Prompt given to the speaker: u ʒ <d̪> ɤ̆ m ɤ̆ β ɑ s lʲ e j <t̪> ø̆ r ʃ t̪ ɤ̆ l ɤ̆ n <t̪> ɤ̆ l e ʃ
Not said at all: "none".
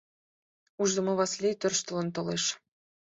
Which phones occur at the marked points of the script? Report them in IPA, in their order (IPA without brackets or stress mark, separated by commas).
d̪, t̪, t̪